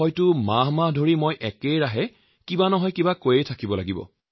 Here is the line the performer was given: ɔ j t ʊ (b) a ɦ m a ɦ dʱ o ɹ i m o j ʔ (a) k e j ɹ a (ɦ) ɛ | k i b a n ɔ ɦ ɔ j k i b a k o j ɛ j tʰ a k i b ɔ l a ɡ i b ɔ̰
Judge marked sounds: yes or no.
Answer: no, no, yes

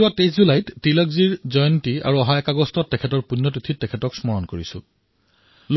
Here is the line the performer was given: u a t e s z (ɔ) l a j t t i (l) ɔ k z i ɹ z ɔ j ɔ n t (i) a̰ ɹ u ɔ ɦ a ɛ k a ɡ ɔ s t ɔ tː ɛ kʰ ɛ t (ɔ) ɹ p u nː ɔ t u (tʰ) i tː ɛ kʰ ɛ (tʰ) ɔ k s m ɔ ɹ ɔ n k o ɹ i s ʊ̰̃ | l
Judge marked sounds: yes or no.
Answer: no, yes, yes, yes, yes, no

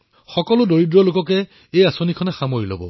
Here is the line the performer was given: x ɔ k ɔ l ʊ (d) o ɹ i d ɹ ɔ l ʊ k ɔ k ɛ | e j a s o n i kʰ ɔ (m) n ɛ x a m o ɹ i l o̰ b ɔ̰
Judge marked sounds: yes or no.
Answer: yes, no

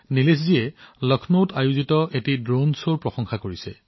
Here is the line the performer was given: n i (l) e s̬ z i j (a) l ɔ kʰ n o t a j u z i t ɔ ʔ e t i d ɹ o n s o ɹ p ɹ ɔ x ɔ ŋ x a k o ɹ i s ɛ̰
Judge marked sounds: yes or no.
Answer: yes, no

